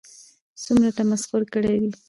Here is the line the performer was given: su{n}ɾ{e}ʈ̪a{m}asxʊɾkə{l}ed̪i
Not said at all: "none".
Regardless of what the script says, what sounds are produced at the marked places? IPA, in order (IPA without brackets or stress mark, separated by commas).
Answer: m, a, m, ɽ